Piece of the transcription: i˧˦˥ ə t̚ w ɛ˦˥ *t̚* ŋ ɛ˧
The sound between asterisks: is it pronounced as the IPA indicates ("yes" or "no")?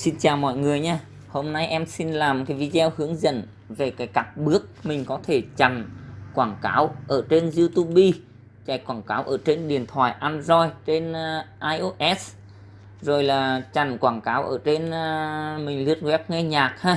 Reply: no